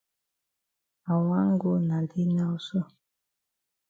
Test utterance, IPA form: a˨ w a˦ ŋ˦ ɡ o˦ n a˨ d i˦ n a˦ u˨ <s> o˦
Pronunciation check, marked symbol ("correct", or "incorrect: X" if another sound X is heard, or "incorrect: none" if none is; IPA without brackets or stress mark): correct